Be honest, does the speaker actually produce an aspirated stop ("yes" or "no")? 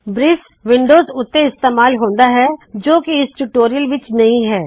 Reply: no